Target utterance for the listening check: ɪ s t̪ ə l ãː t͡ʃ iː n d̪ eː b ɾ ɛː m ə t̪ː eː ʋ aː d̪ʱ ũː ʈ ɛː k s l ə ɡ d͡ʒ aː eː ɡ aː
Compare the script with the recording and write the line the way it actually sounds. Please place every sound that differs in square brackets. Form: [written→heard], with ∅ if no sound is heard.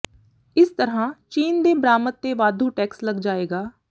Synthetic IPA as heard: ɪ s t̪ ə [l→ɾ] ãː t͡ʃ iː n d̪ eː b ɾ [ɛː→aː] m ə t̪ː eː ʋ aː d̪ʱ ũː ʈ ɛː k s l ə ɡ d͡ʒ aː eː ɡ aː